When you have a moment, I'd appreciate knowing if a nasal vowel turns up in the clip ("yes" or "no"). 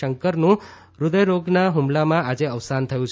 yes